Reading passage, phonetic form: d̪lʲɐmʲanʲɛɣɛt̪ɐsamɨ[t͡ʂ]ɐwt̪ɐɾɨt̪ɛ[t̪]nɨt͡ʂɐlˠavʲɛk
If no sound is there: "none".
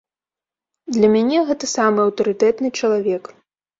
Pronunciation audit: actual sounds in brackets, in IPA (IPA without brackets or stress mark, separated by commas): none, t̪